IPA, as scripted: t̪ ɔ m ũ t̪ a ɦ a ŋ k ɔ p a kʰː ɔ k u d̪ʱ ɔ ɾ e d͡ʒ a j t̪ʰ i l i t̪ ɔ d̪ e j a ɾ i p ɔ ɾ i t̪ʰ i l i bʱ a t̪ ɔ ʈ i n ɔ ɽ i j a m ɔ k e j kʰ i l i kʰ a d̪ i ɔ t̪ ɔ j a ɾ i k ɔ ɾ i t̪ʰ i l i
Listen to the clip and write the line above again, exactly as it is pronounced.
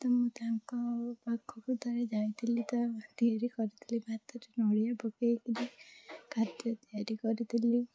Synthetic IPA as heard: t̪ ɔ m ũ t̪ a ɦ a ŋ k ɔ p a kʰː ɔ k u d̪ʱ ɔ ɾ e d͡ʒ a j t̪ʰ i l i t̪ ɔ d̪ i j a ɾ i k ɔ ɾ i t̪ʰ i l i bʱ a t̪ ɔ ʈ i n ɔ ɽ i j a b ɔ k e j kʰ i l i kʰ a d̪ j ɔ t̪ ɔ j a ɾ i k ɔ ɾ i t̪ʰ i l i